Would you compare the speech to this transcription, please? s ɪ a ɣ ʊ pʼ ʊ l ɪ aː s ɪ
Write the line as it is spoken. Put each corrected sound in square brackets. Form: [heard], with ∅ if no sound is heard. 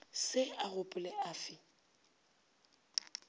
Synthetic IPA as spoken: s ɪ a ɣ ʊ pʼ ʊ l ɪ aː [f] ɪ